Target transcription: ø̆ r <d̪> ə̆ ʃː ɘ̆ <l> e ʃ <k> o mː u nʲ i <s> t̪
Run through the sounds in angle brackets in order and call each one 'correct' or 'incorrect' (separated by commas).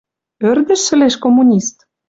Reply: correct, correct, correct, correct